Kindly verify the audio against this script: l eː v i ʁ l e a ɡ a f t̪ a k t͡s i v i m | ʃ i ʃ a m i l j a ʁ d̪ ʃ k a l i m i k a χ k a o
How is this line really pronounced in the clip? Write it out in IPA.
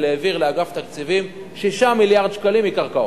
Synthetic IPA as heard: l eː v i ʁ l e a ɡ a f t̪ a k t͡s i v i m | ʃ i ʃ a m i l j a ʁ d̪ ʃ k a l i m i k a ʁ k a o